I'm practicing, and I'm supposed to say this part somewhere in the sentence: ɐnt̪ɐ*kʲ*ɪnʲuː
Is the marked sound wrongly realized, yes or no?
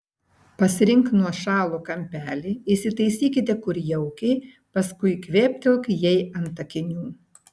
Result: no